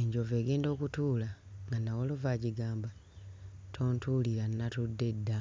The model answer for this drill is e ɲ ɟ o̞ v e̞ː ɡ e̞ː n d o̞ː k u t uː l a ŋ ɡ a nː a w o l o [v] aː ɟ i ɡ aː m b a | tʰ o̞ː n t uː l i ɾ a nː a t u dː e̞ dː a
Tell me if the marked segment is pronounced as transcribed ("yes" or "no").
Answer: yes